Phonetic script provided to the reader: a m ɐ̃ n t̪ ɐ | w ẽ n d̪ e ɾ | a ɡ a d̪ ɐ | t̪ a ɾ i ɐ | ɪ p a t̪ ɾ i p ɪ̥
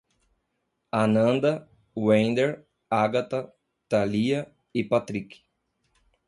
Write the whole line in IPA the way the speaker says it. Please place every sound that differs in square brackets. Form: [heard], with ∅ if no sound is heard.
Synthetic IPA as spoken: a [n] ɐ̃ n [d̪] ɐ | w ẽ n d̪ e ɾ | a ɡ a [t̪] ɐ | t̪ a [l] i ɐ | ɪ p a t̪ ɾ i [k] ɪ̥